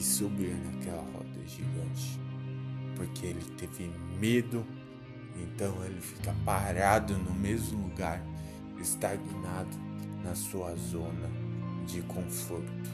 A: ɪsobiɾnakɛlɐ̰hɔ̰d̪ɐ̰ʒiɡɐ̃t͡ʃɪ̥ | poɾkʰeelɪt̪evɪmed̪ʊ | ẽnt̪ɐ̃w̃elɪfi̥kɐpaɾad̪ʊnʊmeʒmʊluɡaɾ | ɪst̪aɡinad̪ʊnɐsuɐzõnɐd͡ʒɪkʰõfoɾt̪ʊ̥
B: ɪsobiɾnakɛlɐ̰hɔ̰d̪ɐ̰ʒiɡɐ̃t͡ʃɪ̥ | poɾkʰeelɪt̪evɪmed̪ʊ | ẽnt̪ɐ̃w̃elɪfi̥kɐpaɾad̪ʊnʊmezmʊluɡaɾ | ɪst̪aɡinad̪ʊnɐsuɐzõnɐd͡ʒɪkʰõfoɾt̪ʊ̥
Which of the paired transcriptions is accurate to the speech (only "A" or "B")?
B